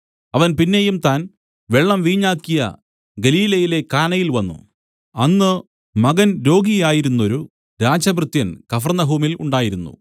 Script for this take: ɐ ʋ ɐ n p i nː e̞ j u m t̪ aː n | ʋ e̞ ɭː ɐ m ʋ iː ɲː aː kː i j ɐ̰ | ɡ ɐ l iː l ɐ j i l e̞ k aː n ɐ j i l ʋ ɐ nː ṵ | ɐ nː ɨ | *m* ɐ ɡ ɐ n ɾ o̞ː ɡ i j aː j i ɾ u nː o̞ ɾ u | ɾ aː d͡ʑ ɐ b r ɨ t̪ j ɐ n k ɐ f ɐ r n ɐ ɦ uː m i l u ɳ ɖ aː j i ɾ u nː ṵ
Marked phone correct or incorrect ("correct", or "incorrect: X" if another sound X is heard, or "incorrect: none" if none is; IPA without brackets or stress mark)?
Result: correct